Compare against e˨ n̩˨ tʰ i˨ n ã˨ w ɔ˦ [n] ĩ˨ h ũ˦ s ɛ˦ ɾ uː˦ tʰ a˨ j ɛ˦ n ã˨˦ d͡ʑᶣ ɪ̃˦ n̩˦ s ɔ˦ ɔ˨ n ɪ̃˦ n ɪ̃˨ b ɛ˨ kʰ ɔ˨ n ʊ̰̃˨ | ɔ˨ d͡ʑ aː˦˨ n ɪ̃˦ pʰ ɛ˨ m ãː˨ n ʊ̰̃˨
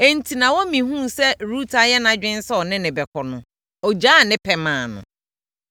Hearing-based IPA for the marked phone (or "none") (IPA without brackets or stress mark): m